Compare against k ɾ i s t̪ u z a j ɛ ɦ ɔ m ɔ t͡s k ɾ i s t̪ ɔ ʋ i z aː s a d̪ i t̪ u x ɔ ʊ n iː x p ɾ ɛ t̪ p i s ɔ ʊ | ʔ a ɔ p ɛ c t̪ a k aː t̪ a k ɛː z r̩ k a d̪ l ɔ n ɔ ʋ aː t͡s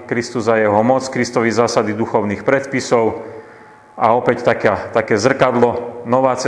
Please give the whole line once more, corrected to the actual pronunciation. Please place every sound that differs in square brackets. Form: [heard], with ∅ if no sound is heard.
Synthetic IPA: k ɾ i s t̪ u z a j ɛ ɦ ɔ m ɔ t͡s k ɾ i s t̪ ɔ ʋ i z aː s a d̪ i [d̪] u x ɔ ʊ n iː x p ɾ ɛ t̪ p i s ɔ ʊ | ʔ a ɔ p ɛ c t̪ a k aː t̪ a k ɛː z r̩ k a d̪ l ɔ n ɔ ʋ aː t͡s